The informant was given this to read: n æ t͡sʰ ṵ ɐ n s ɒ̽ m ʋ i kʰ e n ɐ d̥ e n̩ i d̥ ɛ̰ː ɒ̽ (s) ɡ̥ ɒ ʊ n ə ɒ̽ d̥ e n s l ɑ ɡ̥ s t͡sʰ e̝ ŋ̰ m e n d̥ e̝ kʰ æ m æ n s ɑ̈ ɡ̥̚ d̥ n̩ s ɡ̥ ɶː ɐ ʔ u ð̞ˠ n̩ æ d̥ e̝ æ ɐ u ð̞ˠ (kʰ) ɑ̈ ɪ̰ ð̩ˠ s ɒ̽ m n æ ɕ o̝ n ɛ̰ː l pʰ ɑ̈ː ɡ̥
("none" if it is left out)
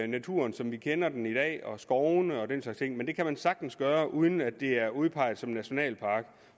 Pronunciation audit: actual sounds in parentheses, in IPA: s, pʰ

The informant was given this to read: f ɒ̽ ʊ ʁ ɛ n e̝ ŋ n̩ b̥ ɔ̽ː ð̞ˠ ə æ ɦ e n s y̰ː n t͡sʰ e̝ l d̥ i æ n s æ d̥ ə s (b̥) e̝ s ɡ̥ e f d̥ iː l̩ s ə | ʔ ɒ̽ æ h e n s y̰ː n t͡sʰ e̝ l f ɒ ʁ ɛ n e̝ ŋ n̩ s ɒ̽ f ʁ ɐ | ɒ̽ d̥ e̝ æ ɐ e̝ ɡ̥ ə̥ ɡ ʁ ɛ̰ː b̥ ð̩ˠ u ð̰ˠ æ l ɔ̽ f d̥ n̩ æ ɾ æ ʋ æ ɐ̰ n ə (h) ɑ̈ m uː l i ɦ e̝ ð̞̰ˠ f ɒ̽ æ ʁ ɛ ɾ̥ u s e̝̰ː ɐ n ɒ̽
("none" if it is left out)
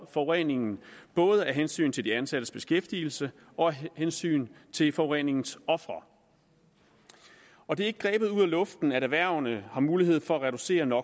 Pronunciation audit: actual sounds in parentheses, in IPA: b̥, h

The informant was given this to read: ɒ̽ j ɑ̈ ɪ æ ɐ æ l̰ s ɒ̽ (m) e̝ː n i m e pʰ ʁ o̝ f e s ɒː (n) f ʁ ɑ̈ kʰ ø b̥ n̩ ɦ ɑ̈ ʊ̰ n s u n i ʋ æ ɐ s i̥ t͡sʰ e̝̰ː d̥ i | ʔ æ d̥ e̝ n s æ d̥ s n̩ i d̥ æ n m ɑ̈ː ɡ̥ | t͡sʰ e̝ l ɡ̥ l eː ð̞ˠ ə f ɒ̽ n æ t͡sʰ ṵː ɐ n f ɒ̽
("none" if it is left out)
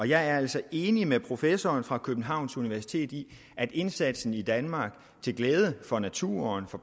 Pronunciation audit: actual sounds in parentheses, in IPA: none, n

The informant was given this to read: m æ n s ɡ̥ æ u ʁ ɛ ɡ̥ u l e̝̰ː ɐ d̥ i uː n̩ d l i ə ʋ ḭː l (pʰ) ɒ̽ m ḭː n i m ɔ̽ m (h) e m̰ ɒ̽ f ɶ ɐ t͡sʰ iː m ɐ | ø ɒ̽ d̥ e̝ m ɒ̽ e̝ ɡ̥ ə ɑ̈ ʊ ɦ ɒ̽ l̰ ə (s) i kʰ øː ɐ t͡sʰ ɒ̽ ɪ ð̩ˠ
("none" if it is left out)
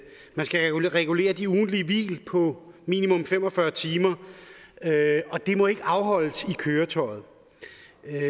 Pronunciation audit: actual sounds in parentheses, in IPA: pʰ, f, s

